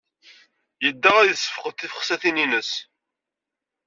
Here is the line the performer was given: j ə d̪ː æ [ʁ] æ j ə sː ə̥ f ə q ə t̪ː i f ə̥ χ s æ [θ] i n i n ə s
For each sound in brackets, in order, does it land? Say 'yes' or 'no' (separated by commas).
yes, yes